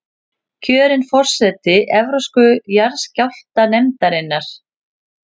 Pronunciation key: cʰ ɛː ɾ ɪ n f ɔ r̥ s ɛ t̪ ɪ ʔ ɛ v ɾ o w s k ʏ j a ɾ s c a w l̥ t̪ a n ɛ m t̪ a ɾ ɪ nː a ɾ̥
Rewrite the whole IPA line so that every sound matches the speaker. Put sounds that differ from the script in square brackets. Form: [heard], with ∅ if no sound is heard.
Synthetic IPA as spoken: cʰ [œː] ɾ ɪ n f ɔ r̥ s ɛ t̪ ɪ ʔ ɛ v ɾ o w s k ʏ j a ɾ s c a w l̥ t̪ a n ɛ m t̪ a ɾ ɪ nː a ɾ̥